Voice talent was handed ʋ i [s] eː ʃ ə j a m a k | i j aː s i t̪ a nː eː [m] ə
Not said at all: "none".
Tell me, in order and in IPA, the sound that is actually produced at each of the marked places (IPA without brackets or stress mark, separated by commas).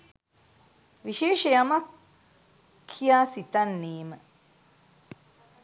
ʃ, m